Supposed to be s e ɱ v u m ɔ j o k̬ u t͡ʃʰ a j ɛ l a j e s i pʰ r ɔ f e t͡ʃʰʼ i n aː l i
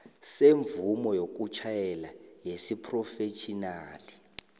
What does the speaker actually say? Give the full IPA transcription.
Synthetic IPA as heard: s e ɱ v u m ɔ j o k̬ u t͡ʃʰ a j ɛ l a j e s i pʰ r ɔ f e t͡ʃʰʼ i n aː l i